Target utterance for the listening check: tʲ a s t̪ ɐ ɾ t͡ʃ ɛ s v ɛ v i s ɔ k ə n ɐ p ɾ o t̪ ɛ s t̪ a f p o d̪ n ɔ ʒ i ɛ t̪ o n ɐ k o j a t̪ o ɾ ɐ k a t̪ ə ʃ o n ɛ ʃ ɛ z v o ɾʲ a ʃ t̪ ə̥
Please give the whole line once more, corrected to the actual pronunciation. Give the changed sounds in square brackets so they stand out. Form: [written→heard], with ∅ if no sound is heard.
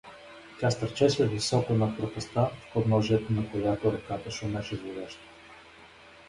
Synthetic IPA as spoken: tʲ a s t̪ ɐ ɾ t͡ʃ ɛ s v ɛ v i s ɔ k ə n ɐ p ɾ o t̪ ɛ s t̪ a f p o d̪ n ɔ ʒ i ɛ t̪ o n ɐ k o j a t̪ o ɾ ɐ k a t̪ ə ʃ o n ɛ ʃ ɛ z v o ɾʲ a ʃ t̪ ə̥